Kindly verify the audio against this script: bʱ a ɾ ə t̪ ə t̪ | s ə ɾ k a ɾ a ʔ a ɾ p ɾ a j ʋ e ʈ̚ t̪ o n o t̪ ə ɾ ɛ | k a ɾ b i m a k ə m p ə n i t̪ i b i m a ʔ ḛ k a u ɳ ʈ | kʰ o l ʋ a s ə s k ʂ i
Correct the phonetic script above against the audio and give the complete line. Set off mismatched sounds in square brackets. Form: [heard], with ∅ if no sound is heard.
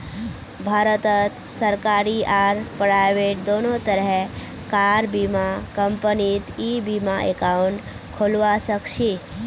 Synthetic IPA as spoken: bʱ a ɾ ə t̪ ə t̪ | s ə ɾ k a ɾ [i] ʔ a ɾ p ɾ a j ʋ e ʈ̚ [d̪] o n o t̪ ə ɾ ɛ | k a ɾ b i m a k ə m p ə n i t̪ i b i m a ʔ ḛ k a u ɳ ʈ | kʰ o l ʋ a s ə [∅] k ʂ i